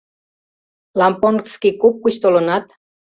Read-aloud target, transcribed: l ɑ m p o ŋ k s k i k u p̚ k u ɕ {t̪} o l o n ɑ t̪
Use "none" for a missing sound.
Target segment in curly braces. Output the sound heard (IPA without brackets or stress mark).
t̪